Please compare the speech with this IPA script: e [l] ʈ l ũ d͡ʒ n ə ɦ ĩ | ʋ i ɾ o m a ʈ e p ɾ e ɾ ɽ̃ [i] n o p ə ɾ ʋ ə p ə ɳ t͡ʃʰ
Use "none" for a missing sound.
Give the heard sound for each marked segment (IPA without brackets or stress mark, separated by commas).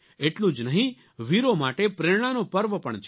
none, a